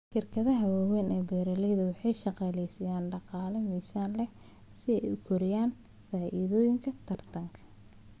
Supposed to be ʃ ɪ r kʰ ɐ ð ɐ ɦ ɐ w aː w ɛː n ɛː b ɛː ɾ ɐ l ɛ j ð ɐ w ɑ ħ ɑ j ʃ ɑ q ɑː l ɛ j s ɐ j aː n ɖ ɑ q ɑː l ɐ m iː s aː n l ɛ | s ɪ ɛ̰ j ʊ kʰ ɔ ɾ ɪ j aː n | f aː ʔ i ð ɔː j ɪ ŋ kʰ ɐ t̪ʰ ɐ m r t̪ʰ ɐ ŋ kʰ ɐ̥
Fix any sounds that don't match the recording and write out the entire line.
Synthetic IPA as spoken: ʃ ɪ r kʰ ɐ ð ɐ ɦ ɐ w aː w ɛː n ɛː b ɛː ɾ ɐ l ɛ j ð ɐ w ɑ ħ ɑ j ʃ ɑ q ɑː l ɛ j s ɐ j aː n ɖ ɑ q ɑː l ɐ m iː s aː n l ɛ | s ɪ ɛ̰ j ʊ kʰ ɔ ɾ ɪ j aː n | f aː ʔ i ð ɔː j ɪ ŋ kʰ ɐ t̪ʰ ɐ r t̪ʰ ɐ ŋ kʰ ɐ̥

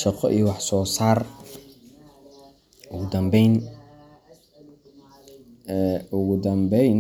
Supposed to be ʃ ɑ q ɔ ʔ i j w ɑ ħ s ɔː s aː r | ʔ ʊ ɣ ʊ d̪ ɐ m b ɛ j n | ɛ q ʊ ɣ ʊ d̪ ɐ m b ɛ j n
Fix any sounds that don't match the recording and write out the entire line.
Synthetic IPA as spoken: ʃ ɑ q ɔ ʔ i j w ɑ ħ s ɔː s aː r | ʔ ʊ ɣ ʊ d̪ ɐ m b ɛ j n | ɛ ʊ ɣ ʊ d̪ ɐ m b ɛ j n

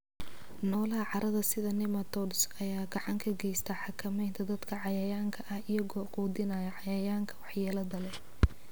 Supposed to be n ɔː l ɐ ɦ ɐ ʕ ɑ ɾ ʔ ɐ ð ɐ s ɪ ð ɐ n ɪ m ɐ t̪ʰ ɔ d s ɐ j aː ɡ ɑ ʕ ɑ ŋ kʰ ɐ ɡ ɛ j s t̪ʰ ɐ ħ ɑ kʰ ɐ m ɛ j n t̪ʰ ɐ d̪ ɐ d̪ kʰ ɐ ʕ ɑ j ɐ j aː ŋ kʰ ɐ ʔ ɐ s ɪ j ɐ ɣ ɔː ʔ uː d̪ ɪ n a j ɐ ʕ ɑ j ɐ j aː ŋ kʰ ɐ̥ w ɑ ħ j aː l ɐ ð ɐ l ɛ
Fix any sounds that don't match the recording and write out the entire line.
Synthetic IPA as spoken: n ɔː l ɐ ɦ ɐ ʕ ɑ ɾ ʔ ɐ ð ɐ s ɪ ð ɐ n ɪ m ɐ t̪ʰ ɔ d s ɐ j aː ɡ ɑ ʕ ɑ ŋ kʰ ɐ ɡ ɛ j s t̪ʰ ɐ ħ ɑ kʰ ɐ m ɛ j n t̪ʰ ɐ d̪ ɐ d̪ kʰ ɐ ʕ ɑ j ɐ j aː ŋ kʰ ɐ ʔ ɐ h ɪ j ɐ ɣ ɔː q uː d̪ ɪ n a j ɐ ʕ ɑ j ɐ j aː ŋ kʰ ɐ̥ w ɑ ħ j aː l ɐ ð ɐ l ɛ

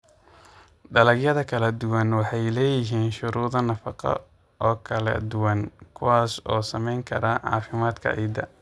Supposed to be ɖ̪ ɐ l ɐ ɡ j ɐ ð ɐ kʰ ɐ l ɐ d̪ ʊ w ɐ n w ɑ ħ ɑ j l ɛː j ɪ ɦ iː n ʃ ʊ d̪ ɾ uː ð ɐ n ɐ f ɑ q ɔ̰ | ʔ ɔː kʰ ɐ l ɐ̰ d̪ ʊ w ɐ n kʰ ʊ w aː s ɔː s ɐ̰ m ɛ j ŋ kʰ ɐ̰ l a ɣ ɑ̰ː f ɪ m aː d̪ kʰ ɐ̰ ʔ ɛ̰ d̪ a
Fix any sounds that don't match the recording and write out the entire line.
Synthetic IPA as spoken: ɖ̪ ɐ l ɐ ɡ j ɐ ð ɐ kʰ ɐ l ɐ d̪ ʊ w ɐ n w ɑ ħ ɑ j l ɛː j ɪ ɦ iː n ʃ ʊ ɾ uː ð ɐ n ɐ f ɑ q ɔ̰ | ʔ ɔː kʰ ɐ l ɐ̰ d̪ ʊ w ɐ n kʰ ʊ w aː s ɔː s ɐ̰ m ɛ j ŋ kʰ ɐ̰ ɾ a ʕ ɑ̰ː f ɪ m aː d̪ kʰ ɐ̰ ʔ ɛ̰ d̪ ɐ

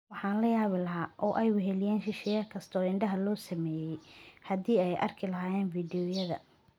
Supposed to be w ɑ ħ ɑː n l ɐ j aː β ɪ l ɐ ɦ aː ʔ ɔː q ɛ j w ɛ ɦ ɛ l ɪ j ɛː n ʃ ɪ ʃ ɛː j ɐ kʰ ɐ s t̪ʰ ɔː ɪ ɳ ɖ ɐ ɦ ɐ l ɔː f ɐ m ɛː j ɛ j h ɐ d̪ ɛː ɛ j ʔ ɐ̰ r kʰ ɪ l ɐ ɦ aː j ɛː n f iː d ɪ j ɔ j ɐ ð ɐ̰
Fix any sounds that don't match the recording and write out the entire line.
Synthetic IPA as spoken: w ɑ ħ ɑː n l ɐ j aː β ɪ l ɐ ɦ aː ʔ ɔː ʔ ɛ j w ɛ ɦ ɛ l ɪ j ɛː n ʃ ɪ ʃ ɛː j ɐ kʰ ɐ s t̪ʰ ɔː ɪ ɳ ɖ ɐ ɦ ɐ l ɔː s ɐ m ɛː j ɛ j h ɐ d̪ iː ɛ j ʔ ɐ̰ r kʰ ɪ l ɐ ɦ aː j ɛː n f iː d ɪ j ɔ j ɐ ð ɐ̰

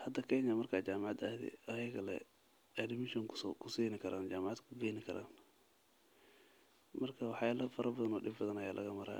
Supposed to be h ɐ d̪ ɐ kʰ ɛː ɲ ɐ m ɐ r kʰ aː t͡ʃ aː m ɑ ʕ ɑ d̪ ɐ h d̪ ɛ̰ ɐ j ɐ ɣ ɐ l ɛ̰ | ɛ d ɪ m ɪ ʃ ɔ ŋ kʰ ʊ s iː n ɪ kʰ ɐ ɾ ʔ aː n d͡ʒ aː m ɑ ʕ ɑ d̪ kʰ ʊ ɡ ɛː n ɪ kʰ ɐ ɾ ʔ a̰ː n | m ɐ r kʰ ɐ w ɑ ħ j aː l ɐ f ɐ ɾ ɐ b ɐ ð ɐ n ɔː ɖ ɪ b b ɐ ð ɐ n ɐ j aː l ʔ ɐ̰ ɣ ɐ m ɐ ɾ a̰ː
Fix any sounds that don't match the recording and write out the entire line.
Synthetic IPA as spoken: h ɐ d̪ ɐ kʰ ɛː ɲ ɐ m ɐ r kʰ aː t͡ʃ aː m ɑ ʕ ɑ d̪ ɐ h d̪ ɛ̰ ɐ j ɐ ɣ ɐ l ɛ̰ | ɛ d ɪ m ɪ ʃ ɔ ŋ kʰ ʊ s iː n ɪ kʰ ɐ ɾ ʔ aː n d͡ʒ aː m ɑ ʕ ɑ d̪ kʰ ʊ ɡ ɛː n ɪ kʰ ɐ ɾ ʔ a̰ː n | m ɐ r kʰ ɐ w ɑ ħ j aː l ɐ f ɐ ɾ ɐ b ɐ ð ɐ n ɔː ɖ ɪ b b ɐ ð ɐ n ɐ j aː l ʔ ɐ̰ ɣ ɐ m ɐ ɾ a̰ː

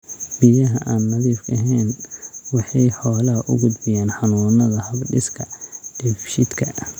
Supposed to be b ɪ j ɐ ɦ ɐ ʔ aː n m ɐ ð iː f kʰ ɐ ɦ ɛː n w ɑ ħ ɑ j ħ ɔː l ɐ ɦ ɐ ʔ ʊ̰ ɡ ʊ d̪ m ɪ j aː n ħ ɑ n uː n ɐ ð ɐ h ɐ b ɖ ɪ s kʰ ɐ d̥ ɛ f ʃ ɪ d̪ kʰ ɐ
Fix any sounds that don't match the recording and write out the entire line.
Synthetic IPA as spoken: b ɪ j ɐ ɦ ɐ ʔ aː n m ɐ ð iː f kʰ ɐ ɦ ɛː n w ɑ ħ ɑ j ħ ɔː l ɐ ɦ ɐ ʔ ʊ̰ ɡ ʊ d̪ b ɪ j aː n ħ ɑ n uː n ɐ ð ɐ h ɐ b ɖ ɪ s kʰ ɐ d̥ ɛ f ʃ ɪ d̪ kʰ ɐ

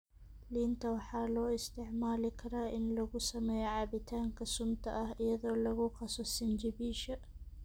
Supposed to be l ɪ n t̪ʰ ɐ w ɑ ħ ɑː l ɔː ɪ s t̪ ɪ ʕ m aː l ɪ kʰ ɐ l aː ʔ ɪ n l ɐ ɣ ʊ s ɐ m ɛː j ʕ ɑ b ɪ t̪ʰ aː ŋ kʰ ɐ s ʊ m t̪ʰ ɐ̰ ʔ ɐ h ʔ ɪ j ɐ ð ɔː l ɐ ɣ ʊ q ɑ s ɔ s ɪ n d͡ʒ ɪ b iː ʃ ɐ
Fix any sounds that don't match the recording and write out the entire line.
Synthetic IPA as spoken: l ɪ n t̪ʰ ɐ w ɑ ħ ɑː l ɔː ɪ s t̪ ɪ ʕ m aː l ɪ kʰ ɐ ɾ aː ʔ ɪ n l ɐ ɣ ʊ s ɐ m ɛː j ʕ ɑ b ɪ t̪ʰ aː ŋ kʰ ɐ s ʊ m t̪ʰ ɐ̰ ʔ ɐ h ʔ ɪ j ɐ ð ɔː l ɐ ɣ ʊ q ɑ s ɔ s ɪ n d͡ʒ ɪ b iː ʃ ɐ

